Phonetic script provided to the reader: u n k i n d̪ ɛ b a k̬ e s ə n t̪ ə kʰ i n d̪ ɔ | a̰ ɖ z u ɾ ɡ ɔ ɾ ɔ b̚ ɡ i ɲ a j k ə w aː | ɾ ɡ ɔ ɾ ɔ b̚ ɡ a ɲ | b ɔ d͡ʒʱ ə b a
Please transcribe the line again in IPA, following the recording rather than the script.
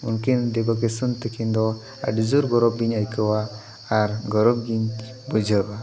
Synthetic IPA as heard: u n k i n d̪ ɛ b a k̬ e s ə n t̪ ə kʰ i n d̪ ɔ | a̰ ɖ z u ɾ ɡ ɔ ɾ ɔ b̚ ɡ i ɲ a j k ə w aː | ɾ ɡ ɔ ɾ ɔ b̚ ɡ i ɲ | b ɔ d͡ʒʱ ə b a